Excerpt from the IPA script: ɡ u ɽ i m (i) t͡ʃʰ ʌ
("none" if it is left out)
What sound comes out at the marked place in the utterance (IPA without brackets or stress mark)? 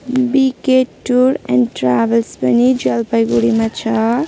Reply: a